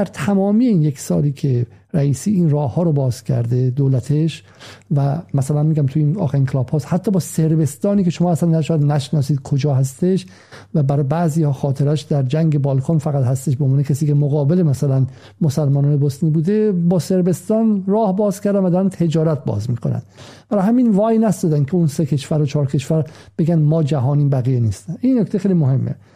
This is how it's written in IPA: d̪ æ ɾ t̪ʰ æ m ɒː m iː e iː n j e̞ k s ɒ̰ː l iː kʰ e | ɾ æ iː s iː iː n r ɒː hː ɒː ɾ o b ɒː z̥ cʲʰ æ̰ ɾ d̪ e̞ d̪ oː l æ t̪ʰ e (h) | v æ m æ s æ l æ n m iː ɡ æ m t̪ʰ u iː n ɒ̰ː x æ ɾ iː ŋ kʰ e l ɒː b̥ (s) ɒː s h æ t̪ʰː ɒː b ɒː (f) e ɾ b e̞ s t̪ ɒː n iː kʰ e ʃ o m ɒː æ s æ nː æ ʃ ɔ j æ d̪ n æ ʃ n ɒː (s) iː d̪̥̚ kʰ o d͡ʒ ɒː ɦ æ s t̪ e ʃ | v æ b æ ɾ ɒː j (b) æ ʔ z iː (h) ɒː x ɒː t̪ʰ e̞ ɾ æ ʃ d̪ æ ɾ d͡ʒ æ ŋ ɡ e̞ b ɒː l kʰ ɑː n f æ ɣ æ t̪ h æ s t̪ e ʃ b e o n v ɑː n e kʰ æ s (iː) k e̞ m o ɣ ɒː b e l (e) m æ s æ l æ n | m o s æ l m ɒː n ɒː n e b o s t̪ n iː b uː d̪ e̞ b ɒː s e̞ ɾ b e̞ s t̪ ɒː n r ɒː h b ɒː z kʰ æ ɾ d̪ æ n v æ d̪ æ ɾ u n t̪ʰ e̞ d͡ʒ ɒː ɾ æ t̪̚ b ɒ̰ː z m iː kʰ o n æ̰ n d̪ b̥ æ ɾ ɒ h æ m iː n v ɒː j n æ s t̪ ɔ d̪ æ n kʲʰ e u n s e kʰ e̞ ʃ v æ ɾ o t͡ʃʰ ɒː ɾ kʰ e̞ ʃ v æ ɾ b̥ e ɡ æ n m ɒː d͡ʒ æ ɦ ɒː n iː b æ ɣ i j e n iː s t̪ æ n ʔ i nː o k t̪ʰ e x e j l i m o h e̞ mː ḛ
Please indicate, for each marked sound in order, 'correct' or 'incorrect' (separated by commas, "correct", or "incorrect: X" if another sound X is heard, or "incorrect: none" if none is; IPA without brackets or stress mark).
incorrect: ʃ, incorrect: h, incorrect: s, correct, correct, correct, correct, correct